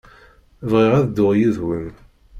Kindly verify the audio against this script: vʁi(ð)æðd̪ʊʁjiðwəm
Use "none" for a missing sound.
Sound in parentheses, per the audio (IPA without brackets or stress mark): ʁ